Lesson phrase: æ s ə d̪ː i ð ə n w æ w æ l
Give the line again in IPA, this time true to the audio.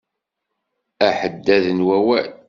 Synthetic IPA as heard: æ ħ ə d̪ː æ ð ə n w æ w æ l